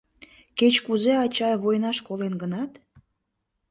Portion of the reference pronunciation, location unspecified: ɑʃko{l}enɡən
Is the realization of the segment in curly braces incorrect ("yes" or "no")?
no